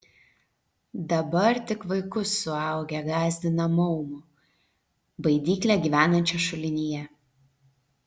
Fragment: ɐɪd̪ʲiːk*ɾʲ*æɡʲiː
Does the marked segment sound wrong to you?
yes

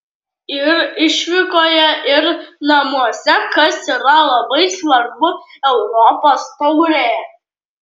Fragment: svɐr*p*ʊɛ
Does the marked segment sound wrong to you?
yes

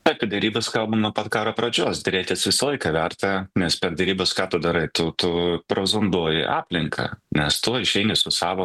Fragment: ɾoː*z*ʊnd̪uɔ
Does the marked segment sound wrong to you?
no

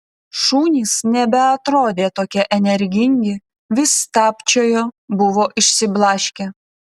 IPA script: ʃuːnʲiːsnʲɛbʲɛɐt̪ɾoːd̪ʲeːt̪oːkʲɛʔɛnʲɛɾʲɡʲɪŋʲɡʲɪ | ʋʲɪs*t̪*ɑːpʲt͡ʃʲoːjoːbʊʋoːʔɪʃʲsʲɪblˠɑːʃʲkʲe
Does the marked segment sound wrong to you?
no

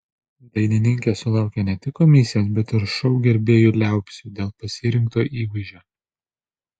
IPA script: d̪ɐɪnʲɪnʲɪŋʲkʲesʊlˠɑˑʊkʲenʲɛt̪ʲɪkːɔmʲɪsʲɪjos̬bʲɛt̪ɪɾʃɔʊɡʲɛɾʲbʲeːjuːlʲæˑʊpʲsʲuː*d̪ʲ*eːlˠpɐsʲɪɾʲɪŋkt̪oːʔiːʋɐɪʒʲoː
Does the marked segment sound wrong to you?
no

